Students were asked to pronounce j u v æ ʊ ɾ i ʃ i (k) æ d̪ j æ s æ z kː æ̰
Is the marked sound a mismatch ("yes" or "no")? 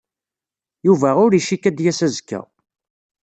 no